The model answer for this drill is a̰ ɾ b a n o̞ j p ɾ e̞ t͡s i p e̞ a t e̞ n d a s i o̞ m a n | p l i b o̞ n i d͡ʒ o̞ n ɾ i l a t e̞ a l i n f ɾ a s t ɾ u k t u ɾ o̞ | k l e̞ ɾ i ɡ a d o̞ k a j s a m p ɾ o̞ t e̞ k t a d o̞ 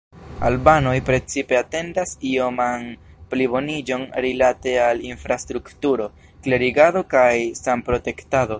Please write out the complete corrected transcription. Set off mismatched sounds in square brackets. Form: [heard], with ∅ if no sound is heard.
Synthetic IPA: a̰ [l] b a n o̞ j p ɾ e̞ t͡s i p e̞ a t e̞ n d a s i o̞ m a n | p l i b o̞ n i d͡ʒ o̞ n ɾ i l a t e̞ a l i n f ɾ a s t ɾ u k t u ɾ o̞ | k l e̞ ɾ i ɡ a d o̞ k a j s a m p ɾ o̞ t e̞ k t a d o̞

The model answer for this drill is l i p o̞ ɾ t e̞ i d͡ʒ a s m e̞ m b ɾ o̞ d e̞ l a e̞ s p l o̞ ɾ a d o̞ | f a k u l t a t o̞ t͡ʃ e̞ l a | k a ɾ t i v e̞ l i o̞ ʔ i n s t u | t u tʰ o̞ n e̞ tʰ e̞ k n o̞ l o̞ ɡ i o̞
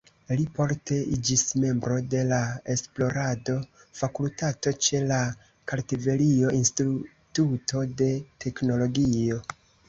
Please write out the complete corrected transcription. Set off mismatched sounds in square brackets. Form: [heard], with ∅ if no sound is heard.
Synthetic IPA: l i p o̞ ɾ t e̞ i d͡ʒ [i] s m e̞ m b ɾ o̞ d e̞ l a e̞ s p l o̞ ɾ a d o̞ | f a k u l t a t o̞ t͡ʃ e̞ l a | k a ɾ t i v e̞ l i o̞ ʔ i n s t u | t u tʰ o̞ [d] e̞ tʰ e̞ k n o̞ l o̞ ɡ i o̞

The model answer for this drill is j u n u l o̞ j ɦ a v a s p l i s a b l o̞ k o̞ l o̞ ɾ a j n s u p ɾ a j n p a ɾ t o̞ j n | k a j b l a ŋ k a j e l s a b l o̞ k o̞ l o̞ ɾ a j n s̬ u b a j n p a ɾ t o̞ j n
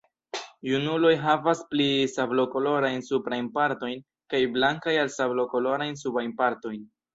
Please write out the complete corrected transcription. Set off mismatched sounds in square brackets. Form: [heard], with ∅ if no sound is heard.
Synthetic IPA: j u n u l o̞ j ɦ a v a s p l i s a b l o̞ k o̞ l o̞ ɾ a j n s u p ɾ a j n p a ɾ t o̞ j n | k a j b l a ŋ k a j [a] l s a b l o̞ k o̞ l o̞ ɾ a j n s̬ u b a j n p a ɾ t o̞ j n

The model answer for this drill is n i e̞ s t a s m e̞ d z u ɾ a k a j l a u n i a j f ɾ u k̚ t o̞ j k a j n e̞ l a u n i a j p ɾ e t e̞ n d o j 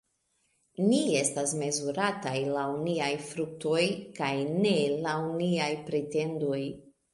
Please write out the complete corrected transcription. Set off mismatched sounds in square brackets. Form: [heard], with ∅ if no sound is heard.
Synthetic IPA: n i e̞ s t a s m e̞ [∅] z u ɾ a [t] a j l a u n i a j f ɾ u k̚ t o̞ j k a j n e̞ l a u n i a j p ɾ e t e̞ n d o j

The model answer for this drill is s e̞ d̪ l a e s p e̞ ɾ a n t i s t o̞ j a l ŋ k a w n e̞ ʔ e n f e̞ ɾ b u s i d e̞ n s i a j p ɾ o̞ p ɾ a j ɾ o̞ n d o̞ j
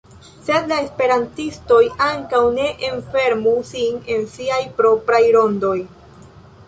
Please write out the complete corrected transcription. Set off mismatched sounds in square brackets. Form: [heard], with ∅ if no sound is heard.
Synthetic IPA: s e̞ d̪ l a e s p e̞ ɾ a n t i s t o̞ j a [∅] ŋ k a w n e̞ ʔ e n f e̞ ɾ [m] u s i [n] e̞ n s i a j p ɾ o̞ p ɾ a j ɾ o̞ n d o̞ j

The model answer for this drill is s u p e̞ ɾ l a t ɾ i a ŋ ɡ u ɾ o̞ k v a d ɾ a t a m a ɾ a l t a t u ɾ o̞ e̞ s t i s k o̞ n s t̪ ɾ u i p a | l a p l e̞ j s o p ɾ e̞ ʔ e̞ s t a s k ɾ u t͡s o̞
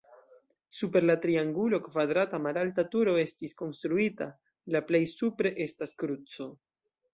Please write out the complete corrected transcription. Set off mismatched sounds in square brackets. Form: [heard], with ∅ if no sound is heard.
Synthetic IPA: s u p e̞ ɾ l a t ɾ i a ŋ ɡ u [l] o̞ k v a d ɾ a t a m a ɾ a l t a t u ɾ o̞ e̞ s t i s k o̞ n s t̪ ɾ u i [t] a | l a p l e̞ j s [u] p ɾ e̞ ʔ e̞ s t a s k ɾ u t͡s o̞

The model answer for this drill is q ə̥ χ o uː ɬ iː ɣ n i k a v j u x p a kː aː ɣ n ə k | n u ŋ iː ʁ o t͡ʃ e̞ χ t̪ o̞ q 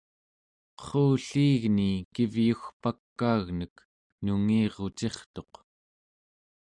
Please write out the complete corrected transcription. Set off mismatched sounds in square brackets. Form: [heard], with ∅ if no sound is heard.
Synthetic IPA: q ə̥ χ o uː ɬ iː ɣ n i k [i] v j u x p a kː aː ɣ n ə k | n u ŋ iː ʁ o t͡ʃ e̞ χ t̪ o̞ q

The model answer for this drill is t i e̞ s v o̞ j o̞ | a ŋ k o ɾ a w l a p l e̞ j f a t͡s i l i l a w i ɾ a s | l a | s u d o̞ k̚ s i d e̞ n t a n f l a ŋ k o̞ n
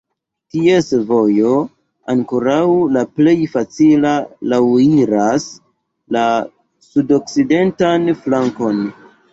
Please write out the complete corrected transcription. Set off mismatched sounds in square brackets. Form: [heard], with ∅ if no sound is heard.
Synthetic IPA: t i e̞ s v o̞ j o̞ | a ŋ k o ɾ a w l a p l e̞ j f a t͡s i l [a] l a w i ɾ a s | l a | s u d o̞ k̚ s i d e̞ n t a n f l a ŋ k o̞ n

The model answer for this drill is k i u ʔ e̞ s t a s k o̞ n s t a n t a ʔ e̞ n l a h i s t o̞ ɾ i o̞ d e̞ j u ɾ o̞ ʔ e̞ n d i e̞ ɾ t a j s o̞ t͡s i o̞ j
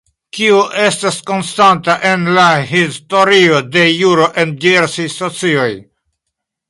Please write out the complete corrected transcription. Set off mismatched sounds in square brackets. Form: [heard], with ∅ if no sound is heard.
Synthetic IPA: k i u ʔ e̞ s t a s k o̞ n s t a n t a ʔ e̞ n l a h i s t o̞ ɾ i o̞ d e̞ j u ɾ o̞ ʔ e̞ n d i e̞ ɾ [s] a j s o̞ t͡s i o̞ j

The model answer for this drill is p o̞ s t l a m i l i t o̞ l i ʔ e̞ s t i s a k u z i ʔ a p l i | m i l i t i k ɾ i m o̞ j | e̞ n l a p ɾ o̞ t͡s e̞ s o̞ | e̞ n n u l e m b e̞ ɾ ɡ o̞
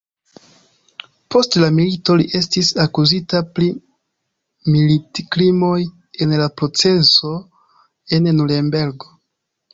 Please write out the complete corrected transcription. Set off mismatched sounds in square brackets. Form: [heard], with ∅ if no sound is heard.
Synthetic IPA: p o̞ s t l a m i l i t o̞ l i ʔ e̞ s t i s a k u z i [t] a p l i | m i l i t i k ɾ i m o̞ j | e̞ n l a p ɾ o̞ t͡s e̞ s o̞ | e̞ n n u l e m b e̞ ɾ ɡ o̞

